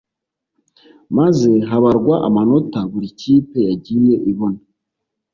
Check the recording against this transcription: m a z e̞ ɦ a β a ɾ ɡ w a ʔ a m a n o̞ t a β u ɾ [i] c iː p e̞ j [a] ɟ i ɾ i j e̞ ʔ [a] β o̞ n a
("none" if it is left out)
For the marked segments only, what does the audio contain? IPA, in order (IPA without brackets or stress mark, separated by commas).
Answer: i, a, i